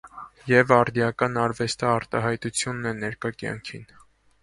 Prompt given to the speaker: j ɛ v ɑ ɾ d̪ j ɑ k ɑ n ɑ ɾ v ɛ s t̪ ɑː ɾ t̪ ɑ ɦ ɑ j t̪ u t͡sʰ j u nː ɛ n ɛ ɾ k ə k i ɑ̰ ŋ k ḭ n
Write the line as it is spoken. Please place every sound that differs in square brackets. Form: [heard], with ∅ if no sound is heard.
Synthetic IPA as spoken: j ɛ v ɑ ɾ d̪ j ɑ k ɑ n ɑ ɾ v ɛ s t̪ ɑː ɾ t̪ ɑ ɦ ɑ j t̪ u t͡sʰ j u nː ɛ n ɛ ɾ k [ɑ] k [j] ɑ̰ ŋ [kʰ] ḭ n